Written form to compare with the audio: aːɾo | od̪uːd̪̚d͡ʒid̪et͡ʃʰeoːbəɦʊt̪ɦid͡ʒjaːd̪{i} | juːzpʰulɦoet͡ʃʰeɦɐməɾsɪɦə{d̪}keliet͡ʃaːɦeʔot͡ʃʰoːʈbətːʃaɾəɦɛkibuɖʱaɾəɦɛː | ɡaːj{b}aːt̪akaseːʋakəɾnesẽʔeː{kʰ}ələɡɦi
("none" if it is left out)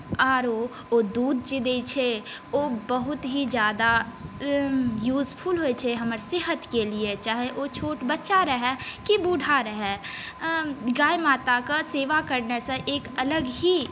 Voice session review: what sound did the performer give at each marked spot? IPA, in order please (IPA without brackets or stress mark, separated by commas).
a, t̪, m, k